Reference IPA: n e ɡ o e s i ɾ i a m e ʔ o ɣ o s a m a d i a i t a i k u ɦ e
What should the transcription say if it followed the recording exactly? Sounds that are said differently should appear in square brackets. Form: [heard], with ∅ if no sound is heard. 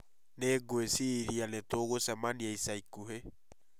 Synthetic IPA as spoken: n e ɡ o e s i ɾ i a [n] e [t] o ɣ o s [ɛ] m a [n] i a i [s] a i k u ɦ e